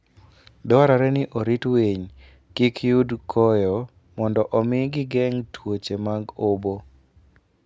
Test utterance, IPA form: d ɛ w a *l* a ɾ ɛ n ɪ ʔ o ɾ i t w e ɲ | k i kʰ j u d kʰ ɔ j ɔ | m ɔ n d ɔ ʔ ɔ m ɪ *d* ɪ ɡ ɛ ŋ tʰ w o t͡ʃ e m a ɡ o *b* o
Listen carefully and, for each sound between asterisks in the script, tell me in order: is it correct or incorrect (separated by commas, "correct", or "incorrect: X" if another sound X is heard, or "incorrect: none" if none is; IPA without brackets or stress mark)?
incorrect: ɾ, incorrect: ɡ, correct